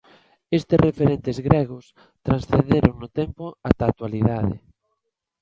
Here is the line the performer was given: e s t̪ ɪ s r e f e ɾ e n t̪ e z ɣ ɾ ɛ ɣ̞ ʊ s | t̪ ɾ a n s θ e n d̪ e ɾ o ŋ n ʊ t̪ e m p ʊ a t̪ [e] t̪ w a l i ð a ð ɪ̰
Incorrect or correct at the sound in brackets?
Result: incorrect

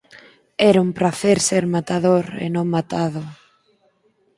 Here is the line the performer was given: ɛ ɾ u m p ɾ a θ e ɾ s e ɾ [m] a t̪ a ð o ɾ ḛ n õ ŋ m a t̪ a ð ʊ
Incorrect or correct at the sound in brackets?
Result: correct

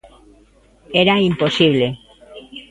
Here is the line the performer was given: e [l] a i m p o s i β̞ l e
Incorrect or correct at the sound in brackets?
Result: incorrect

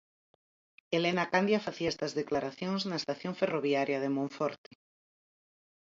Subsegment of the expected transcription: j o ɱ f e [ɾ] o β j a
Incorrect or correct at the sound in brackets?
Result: incorrect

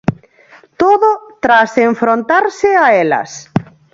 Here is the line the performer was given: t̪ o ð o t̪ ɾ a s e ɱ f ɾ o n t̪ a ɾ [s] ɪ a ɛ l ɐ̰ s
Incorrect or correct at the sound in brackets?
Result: correct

